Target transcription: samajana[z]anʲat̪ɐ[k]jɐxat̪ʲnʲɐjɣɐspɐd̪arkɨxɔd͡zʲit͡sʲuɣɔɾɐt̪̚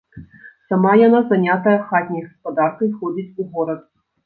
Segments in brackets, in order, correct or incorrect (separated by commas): correct, incorrect